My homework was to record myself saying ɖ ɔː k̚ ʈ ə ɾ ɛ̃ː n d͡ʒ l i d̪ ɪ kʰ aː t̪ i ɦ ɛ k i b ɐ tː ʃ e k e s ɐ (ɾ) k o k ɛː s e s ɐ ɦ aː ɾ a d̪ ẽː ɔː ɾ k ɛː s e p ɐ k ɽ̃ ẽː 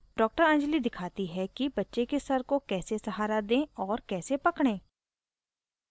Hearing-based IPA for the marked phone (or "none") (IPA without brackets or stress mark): ɾ